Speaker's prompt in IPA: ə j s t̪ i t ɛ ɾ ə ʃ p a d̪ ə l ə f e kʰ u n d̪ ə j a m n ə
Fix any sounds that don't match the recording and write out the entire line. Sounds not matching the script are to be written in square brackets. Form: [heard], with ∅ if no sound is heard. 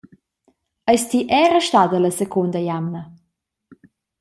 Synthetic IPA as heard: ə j s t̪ i [ʔ] ɛ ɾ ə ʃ [t] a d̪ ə l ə [s] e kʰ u n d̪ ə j a m n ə